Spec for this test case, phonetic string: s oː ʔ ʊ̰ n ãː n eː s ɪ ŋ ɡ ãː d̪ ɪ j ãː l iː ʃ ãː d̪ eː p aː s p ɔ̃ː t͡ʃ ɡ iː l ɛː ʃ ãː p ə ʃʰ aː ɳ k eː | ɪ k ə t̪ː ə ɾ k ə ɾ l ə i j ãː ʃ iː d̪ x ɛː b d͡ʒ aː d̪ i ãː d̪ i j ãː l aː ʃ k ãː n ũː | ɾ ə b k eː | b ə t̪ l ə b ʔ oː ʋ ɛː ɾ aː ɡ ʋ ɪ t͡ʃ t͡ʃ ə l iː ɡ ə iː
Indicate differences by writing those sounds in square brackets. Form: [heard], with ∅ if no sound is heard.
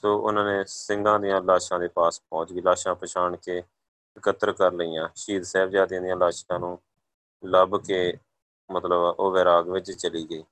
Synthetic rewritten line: s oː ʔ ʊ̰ n ãː n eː s ɪ ŋ ɡ ãː d̪ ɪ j ãː l [aː] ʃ ãː d̪ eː p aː s p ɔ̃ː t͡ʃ ɡ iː l [aː] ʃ ãː p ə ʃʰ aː ɳ k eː | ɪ k ə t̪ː ə ɾ k ə ɾ l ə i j ãː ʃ iː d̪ [s] ɛː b d͡ʒ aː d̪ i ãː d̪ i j ãː l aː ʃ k ãː n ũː | [l] ə b k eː | [m] ə t̪ l ə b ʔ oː ʋ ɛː ɾ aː ɡ ʋ ɪ t͡ʃ t͡ʃ ə l iː ɡ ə iː